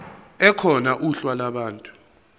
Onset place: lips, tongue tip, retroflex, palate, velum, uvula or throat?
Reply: velum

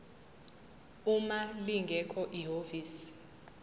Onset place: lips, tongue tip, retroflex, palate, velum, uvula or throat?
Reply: lips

